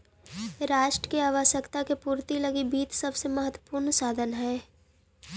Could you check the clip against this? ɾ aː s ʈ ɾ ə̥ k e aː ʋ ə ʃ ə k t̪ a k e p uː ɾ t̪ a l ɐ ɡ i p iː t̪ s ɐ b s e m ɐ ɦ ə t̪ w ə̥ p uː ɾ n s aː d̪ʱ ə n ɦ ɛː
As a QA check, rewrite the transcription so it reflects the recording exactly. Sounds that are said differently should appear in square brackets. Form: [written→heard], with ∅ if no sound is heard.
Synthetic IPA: ɾ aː [s→ʃ] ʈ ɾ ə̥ k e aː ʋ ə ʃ ə k t̪ a k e p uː ɾ t̪ [a→i] l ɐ ɡ i [p→b] iː t̪ s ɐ b s e m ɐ ɦ ə t̪ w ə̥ p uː ɾ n s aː d̪ʱ ə n ɦ ɛː